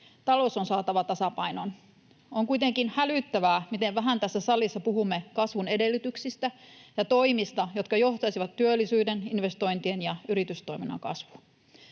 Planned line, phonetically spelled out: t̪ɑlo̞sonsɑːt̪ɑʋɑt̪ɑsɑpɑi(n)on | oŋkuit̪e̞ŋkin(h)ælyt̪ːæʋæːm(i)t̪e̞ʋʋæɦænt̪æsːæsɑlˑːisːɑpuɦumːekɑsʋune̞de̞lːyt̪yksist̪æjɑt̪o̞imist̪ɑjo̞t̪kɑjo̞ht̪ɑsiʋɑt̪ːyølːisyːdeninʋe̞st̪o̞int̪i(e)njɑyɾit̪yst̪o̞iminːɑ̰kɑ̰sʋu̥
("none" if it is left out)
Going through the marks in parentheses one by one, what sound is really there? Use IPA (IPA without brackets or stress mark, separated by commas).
n, h, i, e